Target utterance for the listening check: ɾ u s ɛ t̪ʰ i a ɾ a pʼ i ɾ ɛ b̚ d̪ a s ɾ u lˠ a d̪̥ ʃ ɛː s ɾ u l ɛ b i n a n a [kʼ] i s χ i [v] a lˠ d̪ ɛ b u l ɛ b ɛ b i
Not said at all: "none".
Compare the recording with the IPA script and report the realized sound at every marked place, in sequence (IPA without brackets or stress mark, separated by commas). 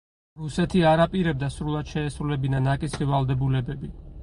kʼ, v